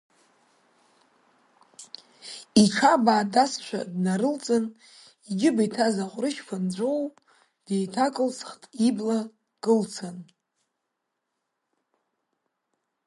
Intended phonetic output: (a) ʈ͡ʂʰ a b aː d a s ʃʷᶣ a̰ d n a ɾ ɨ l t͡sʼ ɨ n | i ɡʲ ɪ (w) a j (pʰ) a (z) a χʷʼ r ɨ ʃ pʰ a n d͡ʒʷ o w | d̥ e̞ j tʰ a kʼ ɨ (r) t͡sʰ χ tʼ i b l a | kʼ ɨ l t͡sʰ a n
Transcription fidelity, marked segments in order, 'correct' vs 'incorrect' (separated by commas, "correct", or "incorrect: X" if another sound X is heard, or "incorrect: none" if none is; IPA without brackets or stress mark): incorrect: i, incorrect: b, incorrect: tʰ, correct, incorrect: l